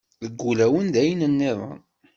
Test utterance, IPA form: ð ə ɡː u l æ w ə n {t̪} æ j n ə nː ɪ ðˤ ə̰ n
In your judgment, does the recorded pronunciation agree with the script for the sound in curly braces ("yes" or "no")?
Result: no